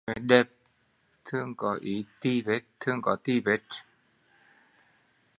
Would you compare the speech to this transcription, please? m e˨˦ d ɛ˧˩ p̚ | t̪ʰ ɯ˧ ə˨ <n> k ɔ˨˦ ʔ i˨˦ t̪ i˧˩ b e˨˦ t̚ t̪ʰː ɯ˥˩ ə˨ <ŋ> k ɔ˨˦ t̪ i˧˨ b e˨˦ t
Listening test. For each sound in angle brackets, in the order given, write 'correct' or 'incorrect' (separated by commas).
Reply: incorrect, correct